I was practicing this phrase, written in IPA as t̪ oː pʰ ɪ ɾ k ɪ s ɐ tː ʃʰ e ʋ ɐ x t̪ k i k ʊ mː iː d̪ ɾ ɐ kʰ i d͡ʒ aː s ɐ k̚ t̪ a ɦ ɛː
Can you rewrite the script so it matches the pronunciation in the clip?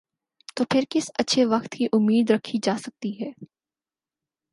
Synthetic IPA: t̪ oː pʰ ɪ ɾ k ɪ s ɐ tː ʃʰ e ʋ ɐ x t̪ k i ʔ ʊ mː iː d̪ ɾ ɐ kʰ i d͡ʒ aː s ɐ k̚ t̪ i ɦ ɛː